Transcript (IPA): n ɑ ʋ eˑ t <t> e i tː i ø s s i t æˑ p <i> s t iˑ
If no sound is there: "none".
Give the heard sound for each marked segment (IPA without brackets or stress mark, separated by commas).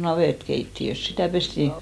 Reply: k, e